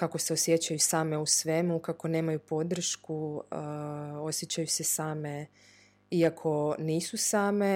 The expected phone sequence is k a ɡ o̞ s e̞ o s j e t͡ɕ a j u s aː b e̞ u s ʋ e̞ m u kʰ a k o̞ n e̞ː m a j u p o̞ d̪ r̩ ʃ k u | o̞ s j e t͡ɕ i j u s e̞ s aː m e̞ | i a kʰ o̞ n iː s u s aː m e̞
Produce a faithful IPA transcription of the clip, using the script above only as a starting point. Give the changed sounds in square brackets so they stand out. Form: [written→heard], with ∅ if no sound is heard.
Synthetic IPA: k a [ɡ→k] o̞ s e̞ o s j e t͡ɕ a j u s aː [b→m] e̞ u s ʋ e̞ m u [kʰ→k] a k o̞ n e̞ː m a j u p o̞ d̪ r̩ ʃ k u | o̞ s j e t͡ɕ [i→a] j u s e̞ s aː m e̞ | i a kʰ o̞ n iː s u s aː m e̞